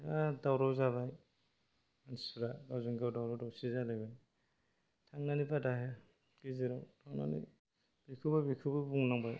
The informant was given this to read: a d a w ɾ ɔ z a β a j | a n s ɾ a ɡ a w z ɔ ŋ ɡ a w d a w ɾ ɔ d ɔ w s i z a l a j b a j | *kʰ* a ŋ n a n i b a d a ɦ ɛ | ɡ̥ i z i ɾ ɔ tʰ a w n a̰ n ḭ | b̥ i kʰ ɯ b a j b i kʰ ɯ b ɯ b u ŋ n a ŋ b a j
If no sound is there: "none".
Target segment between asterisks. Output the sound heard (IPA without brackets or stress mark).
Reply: tʰ